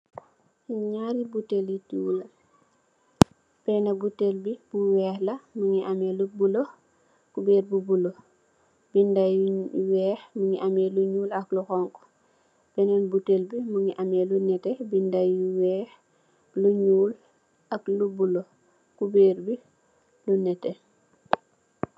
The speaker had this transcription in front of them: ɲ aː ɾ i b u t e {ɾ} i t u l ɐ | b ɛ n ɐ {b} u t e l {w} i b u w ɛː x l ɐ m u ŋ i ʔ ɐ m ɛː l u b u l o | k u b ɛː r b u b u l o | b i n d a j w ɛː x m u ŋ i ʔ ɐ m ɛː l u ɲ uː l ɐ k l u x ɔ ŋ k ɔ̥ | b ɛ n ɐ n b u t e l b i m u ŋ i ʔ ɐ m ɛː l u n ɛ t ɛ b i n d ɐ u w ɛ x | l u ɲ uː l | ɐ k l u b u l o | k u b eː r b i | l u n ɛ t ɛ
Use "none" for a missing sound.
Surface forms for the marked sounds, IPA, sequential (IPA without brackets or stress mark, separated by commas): l, b, b